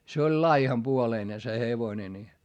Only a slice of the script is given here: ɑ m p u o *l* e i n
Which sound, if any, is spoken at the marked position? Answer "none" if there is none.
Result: l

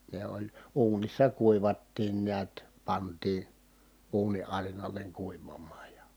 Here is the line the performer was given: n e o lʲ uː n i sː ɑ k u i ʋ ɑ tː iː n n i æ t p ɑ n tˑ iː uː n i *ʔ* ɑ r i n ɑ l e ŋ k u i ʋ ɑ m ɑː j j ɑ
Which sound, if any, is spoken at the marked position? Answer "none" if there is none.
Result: ʔ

